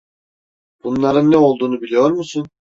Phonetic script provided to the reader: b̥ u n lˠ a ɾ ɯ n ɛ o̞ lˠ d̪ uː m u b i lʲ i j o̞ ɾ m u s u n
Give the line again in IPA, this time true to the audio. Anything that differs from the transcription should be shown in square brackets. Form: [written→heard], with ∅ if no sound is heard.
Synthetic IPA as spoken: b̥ u n lˠ a ɾ ɯ [n→nː] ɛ o̞ lˠ d̪ uː [m→n] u b i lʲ i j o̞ ɾ m u s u n